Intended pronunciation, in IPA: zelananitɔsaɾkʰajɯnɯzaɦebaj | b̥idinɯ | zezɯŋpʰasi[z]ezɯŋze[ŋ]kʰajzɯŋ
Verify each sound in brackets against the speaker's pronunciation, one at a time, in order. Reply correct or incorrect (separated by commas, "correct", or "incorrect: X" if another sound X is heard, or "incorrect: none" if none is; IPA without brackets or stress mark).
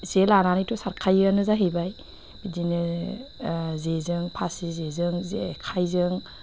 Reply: correct, incorrect: none